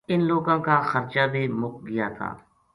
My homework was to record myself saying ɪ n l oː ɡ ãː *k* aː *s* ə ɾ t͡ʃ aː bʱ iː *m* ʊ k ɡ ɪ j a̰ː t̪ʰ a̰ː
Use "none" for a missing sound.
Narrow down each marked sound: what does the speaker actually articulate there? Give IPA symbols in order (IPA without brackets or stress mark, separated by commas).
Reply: k, x, m